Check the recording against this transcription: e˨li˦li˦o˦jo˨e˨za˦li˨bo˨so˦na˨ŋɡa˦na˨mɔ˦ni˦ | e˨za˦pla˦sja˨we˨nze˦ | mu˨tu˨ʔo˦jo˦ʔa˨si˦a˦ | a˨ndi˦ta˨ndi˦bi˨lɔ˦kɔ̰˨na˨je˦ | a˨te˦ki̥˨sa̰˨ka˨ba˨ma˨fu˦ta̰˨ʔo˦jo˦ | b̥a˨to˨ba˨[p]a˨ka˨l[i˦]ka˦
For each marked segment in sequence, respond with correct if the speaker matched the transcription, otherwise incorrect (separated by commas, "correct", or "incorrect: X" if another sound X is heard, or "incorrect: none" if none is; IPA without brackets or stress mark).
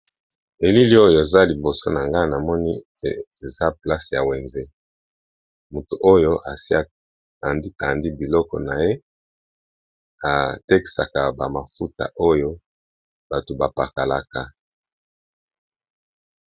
correct, incorrect: a˦